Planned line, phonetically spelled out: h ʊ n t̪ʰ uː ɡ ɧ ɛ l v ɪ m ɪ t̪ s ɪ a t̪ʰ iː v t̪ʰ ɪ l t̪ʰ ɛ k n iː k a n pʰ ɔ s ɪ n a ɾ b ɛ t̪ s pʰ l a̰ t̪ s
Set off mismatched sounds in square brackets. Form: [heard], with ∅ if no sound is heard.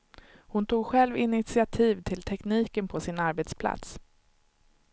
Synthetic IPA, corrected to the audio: h ʊ n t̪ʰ uː ɡ ɧ ɛ l v ɪ [n] ɪ t̪ s ɪ a t̪ʰ iː v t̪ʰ ɪ l t̪ʰ ɛ k n iː k [ə] n pʰ ɔ s ɪ n a ɾ b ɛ t̪ s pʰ l a̰ t̪ s